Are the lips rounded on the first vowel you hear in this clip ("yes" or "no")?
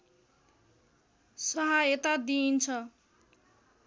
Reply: no